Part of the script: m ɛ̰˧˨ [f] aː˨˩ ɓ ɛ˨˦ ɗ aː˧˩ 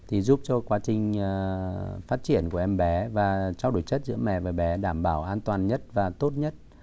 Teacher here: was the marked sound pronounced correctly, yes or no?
no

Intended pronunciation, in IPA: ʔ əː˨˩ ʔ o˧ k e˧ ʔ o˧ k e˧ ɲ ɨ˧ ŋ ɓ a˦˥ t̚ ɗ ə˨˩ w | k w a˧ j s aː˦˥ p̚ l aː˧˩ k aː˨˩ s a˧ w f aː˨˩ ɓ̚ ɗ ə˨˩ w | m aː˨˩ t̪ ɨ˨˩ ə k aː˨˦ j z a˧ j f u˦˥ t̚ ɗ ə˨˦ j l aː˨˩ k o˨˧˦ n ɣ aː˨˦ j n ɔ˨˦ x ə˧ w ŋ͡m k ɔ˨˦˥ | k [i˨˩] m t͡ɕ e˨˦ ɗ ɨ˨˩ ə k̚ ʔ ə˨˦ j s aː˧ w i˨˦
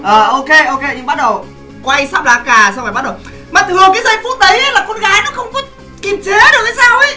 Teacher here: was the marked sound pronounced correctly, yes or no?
yes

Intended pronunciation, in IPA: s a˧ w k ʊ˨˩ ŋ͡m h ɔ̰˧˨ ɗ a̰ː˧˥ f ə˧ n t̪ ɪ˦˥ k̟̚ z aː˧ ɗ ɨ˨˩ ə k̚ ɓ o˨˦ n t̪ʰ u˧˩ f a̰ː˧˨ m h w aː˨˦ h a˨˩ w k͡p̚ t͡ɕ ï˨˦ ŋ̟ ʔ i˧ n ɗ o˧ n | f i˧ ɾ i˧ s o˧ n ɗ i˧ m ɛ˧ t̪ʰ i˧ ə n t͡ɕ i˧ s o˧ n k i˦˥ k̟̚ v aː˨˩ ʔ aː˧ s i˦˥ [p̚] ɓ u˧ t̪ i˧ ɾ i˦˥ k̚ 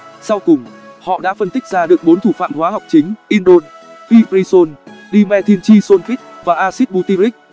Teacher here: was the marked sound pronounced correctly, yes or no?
no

